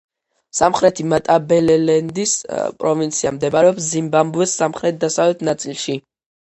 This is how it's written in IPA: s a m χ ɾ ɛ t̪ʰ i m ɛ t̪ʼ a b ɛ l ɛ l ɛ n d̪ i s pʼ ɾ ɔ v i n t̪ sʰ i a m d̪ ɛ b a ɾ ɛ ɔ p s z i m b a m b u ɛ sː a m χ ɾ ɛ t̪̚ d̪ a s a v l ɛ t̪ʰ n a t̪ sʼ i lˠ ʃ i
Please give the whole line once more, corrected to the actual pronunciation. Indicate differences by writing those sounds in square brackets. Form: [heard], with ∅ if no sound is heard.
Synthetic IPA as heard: s a m χ ɾ ɛ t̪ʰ i m [a] t̪ʼ a b ɛ l ɛ l ɛ n d̪ i s pʼ ɾ ɔ v i n t̪ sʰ i a m d̪ ɛ b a ɾ ɛ ɔ p s z i m b a m b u ɛ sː a m χ ɾ ɛ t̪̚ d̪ a s a v l ɛ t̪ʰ n a t̪ sʼ i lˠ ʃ i